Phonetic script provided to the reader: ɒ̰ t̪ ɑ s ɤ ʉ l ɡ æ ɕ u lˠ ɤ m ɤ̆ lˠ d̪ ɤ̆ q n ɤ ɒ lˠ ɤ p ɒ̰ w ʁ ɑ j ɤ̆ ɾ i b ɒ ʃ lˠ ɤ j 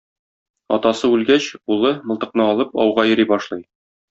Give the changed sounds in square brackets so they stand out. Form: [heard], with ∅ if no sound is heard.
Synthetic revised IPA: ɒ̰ t̪ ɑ s ɤ ʉ l ɡ æ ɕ u lˠ ɤ m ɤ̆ lˠ [t̪] ɤ̆ q n ɤ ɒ lˠ ɤ p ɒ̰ w ʁ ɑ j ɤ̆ ɾ i b ɒ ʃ lˠ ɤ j